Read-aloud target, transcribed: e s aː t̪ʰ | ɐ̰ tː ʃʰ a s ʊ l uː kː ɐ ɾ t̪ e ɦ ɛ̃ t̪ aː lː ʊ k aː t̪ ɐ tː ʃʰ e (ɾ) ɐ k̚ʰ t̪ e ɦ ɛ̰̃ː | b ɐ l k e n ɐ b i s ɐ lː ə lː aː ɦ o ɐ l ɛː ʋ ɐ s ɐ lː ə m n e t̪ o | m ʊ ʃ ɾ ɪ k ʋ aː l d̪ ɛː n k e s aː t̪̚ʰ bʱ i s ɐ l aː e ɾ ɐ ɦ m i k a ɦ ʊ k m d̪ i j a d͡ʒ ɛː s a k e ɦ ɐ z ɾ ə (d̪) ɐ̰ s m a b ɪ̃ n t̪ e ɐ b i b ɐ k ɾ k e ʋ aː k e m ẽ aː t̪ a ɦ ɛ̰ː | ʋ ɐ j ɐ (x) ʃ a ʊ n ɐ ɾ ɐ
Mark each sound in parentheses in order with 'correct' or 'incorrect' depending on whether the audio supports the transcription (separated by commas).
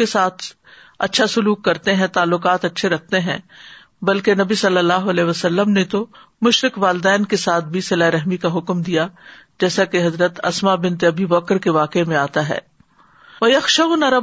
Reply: correct, incorrect, correct